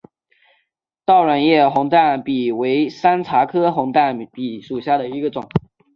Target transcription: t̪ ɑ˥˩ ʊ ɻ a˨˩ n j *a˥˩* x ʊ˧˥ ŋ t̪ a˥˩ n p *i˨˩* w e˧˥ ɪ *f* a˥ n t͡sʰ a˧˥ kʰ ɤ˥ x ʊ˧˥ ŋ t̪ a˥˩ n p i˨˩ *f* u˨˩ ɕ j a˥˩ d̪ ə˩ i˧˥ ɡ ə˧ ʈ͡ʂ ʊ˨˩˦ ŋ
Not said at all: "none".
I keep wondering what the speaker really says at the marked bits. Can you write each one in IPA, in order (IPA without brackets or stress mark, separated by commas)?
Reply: ɛ˥˩, i˨˩, s, ʂ